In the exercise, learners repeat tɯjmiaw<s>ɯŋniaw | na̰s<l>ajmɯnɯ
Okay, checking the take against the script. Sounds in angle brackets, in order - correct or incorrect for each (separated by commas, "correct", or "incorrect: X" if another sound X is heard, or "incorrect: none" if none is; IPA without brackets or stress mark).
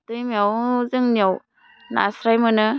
incorrect: z, incorrect: ɾ